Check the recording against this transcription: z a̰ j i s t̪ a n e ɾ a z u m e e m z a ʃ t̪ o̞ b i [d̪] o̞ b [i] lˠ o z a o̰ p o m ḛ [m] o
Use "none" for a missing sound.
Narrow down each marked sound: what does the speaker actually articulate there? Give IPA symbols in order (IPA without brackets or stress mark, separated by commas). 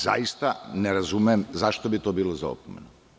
t̪, iː, n